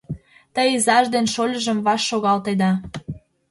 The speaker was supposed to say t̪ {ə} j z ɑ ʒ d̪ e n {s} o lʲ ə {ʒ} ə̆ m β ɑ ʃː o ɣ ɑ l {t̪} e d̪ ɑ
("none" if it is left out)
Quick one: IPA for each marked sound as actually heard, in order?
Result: ə, ʃ, ʒ, t̪

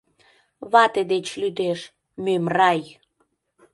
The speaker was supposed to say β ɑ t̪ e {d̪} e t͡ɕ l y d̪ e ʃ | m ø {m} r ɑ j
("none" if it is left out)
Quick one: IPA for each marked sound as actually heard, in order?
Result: d̪, m

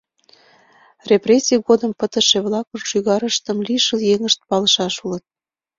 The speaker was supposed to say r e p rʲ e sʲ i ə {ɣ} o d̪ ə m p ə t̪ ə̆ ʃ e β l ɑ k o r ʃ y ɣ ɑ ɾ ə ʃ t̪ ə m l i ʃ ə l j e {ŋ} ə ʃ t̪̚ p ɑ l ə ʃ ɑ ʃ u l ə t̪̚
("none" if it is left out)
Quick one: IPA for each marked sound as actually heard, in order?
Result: ɣ, ŋ

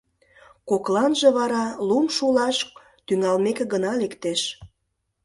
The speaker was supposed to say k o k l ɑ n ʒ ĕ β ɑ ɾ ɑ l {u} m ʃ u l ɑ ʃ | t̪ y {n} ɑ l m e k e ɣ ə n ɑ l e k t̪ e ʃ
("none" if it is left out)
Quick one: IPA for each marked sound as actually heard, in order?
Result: u, ŋ

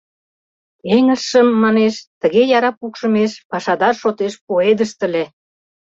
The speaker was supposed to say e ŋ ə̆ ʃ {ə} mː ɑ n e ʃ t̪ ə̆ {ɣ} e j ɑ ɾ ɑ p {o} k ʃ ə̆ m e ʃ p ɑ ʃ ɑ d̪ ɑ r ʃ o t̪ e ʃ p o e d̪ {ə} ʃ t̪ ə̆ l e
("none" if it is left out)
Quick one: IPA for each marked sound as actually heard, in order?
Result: ə, ɣ, u, ə

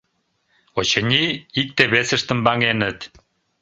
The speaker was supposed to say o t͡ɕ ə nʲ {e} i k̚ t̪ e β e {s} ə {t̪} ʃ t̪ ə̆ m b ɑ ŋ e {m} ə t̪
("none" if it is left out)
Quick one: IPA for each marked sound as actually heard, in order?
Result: i, s, none, n

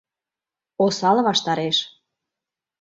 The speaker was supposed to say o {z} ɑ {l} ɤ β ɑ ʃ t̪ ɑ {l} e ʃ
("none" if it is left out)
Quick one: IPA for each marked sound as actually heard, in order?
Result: s, l, ɾ

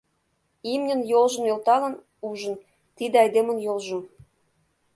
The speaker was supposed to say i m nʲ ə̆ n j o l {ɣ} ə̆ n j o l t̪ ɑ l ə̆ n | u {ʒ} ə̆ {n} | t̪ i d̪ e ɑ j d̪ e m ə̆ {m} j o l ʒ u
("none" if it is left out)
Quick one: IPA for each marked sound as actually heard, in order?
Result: ʒ, ʒ, n, n

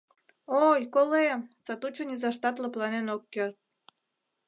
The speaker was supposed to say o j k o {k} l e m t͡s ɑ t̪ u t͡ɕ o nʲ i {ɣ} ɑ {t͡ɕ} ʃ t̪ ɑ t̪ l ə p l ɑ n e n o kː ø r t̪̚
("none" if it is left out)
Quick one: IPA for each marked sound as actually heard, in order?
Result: none, z, none

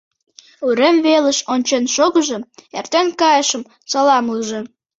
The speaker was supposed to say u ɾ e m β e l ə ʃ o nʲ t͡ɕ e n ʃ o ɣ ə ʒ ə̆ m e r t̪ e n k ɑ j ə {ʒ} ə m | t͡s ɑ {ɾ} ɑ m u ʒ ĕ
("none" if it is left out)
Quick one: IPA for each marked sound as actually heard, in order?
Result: ʃ, l

